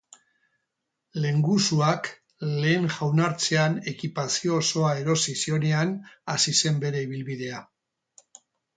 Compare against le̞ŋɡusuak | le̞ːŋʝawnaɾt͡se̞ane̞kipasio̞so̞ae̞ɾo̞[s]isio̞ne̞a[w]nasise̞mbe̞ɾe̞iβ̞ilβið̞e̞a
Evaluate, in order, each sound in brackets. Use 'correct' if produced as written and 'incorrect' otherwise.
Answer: correct, incorrect

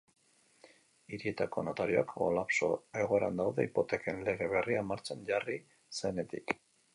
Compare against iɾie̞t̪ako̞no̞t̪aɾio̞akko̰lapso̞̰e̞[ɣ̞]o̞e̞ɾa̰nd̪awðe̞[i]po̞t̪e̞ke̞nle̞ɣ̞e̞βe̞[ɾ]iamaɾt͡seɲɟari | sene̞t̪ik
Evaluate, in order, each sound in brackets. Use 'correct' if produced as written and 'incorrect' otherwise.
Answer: correct, correct, incorrect

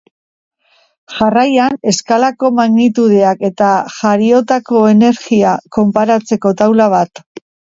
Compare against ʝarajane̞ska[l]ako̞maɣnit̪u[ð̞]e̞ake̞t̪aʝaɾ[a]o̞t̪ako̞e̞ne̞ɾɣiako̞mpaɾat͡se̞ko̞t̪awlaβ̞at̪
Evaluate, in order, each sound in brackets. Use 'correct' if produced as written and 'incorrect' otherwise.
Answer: correct, correct, incorrect

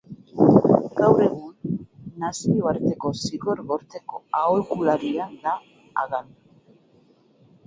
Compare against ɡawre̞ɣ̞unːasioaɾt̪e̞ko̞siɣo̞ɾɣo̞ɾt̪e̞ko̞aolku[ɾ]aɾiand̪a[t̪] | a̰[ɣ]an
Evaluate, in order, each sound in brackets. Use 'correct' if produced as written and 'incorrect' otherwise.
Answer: incorrect, incorrect, correct

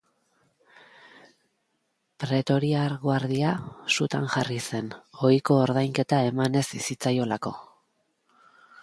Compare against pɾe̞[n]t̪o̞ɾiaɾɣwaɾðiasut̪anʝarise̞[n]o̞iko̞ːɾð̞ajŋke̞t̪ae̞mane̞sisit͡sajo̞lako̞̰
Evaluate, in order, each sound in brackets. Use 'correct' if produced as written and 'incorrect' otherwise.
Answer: incorrect, correct

